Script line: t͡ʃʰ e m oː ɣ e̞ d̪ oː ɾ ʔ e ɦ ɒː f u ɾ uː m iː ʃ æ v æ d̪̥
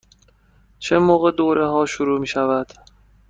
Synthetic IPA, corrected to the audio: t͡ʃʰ e m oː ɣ e̞ d̪ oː ɾ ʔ e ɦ ɒː ʃ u ɾ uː m iː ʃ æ v æ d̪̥